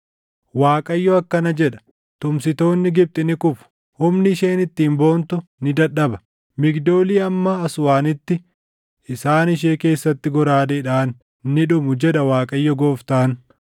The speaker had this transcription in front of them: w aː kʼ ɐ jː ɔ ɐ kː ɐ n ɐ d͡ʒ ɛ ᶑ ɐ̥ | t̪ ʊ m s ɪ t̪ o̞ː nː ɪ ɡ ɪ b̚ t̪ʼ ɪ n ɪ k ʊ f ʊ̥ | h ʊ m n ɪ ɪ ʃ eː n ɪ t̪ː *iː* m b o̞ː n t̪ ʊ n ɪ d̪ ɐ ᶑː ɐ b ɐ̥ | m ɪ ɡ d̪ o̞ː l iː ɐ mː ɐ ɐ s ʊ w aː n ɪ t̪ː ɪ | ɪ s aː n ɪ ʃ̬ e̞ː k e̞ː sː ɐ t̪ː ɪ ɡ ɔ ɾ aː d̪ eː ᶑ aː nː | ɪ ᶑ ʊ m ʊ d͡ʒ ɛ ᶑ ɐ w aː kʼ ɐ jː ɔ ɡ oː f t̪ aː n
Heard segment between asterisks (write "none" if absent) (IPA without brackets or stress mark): iː